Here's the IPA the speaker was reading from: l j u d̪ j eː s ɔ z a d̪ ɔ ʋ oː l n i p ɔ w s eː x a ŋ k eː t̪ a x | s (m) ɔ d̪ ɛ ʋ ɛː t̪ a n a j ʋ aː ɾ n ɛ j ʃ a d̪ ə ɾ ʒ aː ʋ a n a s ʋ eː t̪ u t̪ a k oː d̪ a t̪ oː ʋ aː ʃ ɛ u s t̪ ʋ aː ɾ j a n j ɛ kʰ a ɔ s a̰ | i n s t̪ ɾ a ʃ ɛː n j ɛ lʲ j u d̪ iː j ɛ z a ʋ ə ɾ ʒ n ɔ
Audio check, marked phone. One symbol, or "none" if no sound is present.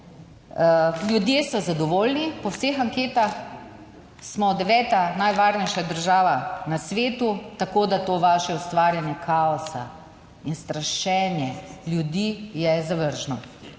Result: m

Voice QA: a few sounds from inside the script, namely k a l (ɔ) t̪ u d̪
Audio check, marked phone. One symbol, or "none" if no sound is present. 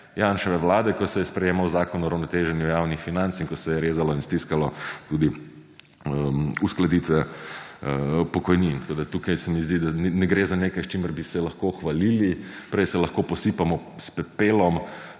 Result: ɔ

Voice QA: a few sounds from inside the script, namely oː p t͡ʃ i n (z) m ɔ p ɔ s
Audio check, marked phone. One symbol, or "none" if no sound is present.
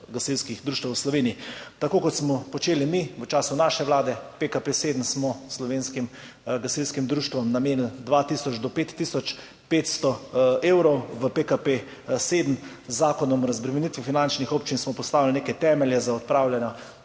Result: s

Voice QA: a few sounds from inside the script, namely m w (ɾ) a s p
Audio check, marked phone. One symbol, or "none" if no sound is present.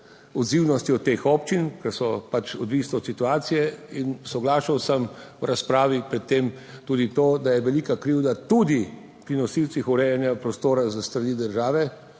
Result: ɾ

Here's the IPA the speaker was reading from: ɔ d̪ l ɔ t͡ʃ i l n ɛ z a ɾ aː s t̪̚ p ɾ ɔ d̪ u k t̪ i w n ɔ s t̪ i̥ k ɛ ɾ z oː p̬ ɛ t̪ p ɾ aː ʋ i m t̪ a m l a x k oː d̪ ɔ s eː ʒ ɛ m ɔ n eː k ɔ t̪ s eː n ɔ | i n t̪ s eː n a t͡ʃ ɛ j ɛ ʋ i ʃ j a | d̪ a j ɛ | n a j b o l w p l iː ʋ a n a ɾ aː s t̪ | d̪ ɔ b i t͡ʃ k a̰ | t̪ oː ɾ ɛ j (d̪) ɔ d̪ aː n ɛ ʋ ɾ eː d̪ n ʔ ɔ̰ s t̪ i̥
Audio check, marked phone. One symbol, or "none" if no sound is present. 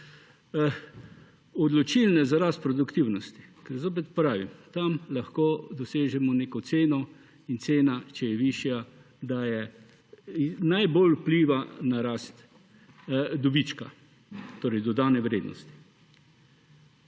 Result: d̪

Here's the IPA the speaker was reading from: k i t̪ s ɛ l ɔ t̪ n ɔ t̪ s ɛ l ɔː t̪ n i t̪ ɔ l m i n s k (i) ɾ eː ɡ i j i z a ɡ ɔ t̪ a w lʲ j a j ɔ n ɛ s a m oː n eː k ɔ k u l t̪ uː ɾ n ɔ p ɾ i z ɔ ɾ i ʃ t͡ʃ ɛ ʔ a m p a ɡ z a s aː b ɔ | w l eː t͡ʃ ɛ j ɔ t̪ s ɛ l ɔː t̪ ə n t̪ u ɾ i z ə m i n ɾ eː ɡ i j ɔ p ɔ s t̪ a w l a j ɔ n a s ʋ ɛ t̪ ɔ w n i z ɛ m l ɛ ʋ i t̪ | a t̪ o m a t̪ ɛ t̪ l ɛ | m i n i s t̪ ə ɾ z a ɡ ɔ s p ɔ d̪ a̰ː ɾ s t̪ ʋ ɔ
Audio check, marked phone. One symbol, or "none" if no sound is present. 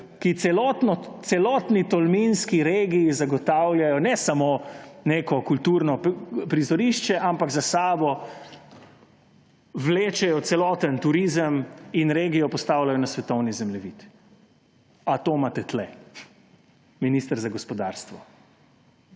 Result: i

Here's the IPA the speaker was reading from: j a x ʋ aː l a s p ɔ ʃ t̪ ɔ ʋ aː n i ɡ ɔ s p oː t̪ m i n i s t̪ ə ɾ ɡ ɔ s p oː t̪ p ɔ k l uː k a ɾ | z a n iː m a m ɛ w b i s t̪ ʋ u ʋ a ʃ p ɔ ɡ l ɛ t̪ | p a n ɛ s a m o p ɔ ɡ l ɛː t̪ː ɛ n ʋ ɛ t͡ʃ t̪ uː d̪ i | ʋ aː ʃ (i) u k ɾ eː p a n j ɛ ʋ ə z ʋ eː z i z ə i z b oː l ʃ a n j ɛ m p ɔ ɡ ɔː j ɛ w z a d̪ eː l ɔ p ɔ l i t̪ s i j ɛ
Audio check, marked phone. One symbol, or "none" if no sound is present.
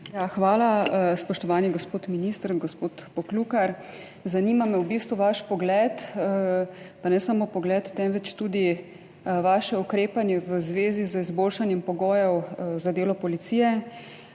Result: ɛ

